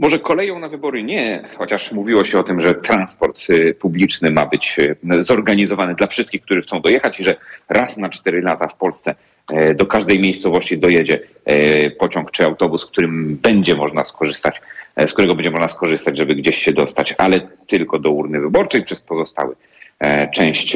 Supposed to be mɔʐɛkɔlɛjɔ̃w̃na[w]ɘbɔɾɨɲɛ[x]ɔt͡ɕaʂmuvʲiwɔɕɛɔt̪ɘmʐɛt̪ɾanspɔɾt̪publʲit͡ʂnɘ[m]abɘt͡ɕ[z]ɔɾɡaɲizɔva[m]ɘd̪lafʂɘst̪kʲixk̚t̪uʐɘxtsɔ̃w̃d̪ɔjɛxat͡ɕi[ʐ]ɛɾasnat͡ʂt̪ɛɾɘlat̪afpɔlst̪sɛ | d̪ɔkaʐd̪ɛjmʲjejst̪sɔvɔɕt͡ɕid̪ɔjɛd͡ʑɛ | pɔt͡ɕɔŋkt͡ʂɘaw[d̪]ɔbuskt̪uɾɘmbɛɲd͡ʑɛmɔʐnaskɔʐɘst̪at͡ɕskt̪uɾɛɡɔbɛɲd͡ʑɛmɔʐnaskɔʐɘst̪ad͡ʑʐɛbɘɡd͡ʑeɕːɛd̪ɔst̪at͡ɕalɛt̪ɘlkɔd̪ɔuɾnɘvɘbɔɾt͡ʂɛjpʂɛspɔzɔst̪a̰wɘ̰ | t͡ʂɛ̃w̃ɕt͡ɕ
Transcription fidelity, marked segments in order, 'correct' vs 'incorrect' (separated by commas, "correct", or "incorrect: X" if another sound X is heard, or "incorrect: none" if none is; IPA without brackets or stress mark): incorrect: v, correct, correct, correct, incorrect: n, correct, incorrect: t̪